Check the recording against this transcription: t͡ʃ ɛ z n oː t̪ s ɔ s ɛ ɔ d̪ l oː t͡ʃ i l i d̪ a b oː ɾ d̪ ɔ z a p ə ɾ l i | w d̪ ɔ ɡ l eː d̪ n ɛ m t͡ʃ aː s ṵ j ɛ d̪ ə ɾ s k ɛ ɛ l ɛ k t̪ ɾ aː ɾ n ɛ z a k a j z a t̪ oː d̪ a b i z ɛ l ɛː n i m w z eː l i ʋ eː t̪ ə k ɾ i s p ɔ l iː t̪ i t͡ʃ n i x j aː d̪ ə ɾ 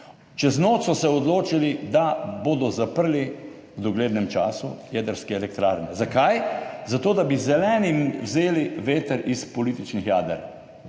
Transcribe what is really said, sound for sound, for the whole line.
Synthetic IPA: t͡ʃ ɛ z n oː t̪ s ɔ s ɛ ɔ d̪ l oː t͡ʃ i l i d̪ a b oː d̪ ɔ z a p ə ɾ l i | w d̪ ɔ ɡ l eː d̪ n ɛ m t͡ʃ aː s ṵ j ɛ d̪ ə ɾ s k ɛ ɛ l ɛ k t̪ ɾ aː ɾ n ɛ z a k a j z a t̪ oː d̪ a b i z ɛ l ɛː n i m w z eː l i ʋ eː t̪ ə ɾ i s p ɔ l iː t̪ i t͡ʃ n i x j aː d̪ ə ɾ